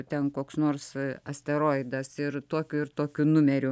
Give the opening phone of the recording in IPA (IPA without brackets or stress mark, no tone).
t̪ʲ